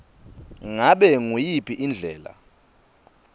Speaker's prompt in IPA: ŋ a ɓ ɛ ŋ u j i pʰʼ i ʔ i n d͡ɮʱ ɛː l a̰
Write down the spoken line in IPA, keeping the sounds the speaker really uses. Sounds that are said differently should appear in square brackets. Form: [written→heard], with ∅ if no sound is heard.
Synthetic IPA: ŋ a ɓ ɛ ŋ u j i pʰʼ i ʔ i n d͡ɮʱ ɛː l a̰